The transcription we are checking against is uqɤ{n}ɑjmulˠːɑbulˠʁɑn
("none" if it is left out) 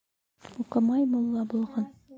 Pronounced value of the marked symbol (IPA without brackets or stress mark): m